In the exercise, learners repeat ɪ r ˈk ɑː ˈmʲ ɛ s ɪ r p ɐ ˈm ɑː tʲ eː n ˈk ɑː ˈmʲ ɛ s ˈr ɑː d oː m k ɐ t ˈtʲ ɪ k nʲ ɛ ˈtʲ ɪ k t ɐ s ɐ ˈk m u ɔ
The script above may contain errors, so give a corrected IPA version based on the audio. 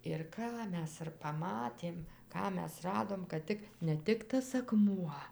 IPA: ɪ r ˈk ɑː ˈmʲ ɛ s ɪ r p ɐ ˈm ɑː tʲ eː m ˈk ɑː ˈmʲ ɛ s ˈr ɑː d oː m k ɐ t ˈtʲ ɪ k nʲ ɛ ˈtʲ ɪ k t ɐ s ɐ ˈk m u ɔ